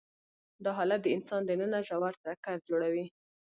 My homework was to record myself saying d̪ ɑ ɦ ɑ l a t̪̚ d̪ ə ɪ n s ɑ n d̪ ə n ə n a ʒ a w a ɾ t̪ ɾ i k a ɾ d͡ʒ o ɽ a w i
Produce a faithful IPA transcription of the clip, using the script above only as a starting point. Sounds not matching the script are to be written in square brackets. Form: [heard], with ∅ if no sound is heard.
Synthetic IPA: d̪ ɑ ɦ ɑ l a t̪̚ d̪ ə ɪ n s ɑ n d̪ ə n ə n a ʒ a w a ɾ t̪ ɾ [a] k a ɾ d͡ʒ o ɽ a w i